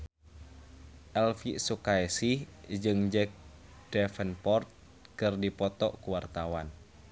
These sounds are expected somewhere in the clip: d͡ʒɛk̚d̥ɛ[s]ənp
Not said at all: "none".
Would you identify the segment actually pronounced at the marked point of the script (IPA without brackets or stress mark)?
f